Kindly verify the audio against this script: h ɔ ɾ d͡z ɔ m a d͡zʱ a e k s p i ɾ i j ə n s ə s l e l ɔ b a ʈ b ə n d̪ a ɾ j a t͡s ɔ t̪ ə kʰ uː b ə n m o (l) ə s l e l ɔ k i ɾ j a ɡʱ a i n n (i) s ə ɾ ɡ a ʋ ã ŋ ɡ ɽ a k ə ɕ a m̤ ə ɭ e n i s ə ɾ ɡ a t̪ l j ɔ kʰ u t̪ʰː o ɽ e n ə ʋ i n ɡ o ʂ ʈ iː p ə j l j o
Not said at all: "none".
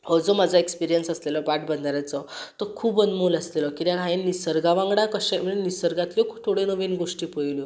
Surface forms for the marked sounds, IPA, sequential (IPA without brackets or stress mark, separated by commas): l, i